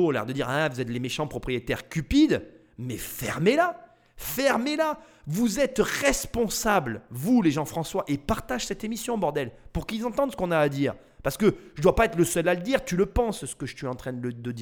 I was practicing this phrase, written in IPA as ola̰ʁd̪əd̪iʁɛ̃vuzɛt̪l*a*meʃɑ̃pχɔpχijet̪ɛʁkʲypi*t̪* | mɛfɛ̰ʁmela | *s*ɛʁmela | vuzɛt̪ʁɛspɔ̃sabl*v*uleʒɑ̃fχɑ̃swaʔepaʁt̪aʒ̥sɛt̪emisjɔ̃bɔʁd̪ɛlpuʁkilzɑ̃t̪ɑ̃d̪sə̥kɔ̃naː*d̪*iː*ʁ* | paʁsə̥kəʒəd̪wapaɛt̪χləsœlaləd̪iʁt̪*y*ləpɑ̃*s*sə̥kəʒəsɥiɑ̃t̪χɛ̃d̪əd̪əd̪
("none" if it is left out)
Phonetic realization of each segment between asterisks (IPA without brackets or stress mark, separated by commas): e, d̪, f, v, d̪, ʁ, y, s